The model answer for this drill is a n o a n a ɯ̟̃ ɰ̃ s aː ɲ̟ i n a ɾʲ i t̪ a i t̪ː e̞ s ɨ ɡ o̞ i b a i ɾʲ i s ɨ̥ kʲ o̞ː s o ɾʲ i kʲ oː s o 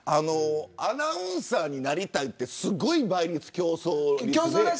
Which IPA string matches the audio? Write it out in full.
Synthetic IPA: a n o a n a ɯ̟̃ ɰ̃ s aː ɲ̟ i n a ɾʲ i t̪ a i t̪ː e̞ s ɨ ɡ o̞ i b a i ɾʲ i t͡s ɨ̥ kʲ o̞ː s o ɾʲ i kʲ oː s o